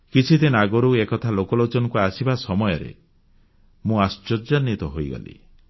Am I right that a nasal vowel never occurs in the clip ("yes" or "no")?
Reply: no